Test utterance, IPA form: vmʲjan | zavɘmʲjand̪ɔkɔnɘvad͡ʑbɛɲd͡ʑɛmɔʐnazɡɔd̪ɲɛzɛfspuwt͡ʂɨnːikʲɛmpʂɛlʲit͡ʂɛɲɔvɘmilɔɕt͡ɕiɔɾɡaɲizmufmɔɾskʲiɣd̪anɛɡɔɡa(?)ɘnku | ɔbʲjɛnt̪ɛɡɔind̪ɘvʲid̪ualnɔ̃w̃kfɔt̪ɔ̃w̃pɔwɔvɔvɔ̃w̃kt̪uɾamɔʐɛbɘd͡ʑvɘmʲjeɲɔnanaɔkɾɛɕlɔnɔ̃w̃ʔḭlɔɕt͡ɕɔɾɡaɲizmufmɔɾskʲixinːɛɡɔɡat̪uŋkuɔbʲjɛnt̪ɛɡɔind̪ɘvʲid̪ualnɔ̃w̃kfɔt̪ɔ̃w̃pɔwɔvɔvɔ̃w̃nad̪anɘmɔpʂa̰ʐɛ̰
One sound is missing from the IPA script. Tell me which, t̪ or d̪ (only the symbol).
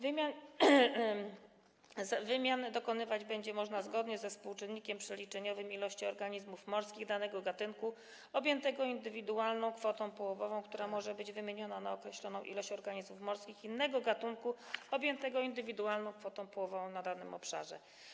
t̪